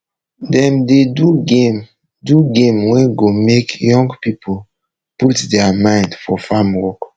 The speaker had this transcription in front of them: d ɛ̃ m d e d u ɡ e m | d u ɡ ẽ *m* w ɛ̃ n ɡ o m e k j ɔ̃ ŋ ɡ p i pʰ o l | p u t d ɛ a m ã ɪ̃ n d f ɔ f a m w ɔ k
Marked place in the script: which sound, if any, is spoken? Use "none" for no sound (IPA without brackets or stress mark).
m